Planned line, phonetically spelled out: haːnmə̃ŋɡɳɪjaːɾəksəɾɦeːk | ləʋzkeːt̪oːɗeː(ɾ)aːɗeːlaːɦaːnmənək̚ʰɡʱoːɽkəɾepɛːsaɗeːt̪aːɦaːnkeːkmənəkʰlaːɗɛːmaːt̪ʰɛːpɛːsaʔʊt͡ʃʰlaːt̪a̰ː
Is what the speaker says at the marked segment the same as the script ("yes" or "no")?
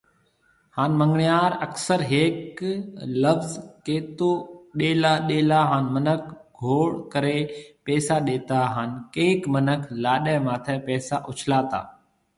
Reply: no